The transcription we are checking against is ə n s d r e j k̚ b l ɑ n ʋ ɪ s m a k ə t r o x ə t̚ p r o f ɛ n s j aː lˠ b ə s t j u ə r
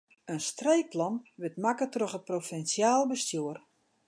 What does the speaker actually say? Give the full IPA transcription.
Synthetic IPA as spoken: ə n s t r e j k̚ p l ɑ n ʋ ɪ t m a k ə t r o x ə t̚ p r o f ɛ n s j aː lˠ b ə s t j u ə r